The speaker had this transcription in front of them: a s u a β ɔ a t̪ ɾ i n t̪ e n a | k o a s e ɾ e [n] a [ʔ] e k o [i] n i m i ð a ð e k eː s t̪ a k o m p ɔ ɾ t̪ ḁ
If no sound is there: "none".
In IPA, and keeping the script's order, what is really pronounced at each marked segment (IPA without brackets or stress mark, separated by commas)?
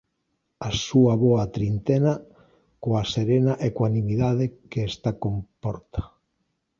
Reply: n, ʔ, a